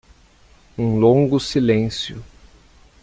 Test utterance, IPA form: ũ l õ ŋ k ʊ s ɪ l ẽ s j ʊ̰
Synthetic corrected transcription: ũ l õ ŋ ɡ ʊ s i l ẽ s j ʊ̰